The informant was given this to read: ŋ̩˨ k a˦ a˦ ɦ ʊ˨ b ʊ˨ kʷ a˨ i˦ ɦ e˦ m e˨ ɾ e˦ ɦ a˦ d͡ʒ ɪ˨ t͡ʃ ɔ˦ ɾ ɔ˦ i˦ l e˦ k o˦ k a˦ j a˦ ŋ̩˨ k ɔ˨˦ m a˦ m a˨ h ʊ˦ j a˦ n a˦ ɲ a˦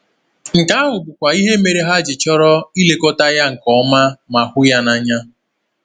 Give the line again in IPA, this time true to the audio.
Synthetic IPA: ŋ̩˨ k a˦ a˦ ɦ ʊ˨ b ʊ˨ kʷ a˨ i˦ ɦ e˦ m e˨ ɾ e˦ ɦ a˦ d͡ʒ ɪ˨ t͡ʃ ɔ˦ ɾ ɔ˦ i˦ l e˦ k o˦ t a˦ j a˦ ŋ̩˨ k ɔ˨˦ m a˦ m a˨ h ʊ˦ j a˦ n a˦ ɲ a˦